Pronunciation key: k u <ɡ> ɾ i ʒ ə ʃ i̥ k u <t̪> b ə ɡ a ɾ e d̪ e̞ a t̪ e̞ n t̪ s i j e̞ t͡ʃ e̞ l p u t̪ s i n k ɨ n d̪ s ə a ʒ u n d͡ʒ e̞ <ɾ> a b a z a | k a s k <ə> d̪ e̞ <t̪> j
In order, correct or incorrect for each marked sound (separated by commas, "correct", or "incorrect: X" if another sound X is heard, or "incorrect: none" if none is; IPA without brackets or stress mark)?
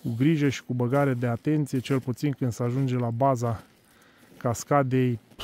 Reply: correct, incorrect: none, incorrect: l, incorrect: a, incorrect: none